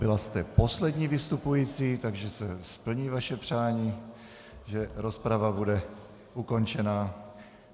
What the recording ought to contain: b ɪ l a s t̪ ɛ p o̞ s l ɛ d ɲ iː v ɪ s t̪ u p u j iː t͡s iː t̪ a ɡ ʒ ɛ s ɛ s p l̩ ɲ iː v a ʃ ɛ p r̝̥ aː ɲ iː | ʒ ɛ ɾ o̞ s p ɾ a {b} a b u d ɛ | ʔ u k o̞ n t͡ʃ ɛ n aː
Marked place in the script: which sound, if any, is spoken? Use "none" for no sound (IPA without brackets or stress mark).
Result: v